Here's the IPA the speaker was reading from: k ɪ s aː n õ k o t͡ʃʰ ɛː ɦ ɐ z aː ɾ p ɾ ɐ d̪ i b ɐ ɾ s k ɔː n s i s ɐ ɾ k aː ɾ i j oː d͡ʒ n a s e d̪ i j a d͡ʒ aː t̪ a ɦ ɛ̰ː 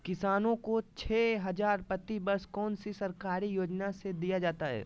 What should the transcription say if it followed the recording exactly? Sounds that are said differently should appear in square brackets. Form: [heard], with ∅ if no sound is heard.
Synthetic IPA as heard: k ɪ s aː n õ k o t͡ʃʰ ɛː ɦ ɐ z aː ɾ p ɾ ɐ [t̪] i b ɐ ɾ s k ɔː n s i s ɐ ɾ k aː ɾ i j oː d͡ʒ n a s e d̪ i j a d͡ʒ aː t̪ a ɦ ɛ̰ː